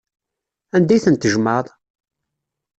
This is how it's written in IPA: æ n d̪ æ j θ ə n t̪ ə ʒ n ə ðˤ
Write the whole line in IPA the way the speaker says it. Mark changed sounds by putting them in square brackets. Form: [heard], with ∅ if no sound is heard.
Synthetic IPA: æ n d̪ æ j θ ə n t̪ ə ʒ [m] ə ðˤ